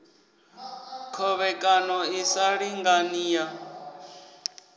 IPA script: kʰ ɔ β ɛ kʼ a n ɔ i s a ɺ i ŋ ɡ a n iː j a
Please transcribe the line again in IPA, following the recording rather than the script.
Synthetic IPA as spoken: kʰ ɔ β ɛ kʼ a n ɔ i s a ɺ i ŋ ɡ a n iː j a